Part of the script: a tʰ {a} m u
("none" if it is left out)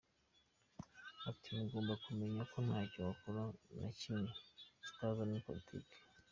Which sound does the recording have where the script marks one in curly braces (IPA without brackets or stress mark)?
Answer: i